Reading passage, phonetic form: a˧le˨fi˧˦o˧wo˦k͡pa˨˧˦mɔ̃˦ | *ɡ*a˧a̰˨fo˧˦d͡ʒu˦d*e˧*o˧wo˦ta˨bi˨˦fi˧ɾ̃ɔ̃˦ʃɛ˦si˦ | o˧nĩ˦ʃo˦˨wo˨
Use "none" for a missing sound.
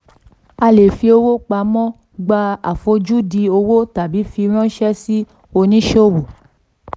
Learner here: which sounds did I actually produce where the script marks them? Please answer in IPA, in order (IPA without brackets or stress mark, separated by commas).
ɡ͡b, i˧